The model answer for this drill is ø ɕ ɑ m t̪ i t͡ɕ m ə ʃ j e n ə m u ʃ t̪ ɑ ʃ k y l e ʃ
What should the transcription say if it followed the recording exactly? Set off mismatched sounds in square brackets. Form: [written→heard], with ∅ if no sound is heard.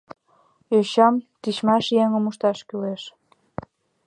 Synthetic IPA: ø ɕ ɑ m t̪ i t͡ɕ m [ə→ɑ] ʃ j e [n→ŋ] ə m u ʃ t̪ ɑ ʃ k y l e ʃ